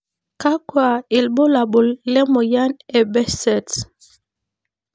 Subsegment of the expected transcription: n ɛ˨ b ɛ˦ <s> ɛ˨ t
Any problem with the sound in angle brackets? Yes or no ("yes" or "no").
no